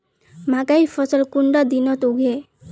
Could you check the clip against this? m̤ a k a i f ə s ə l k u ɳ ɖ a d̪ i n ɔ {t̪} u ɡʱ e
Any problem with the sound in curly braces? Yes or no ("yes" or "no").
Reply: no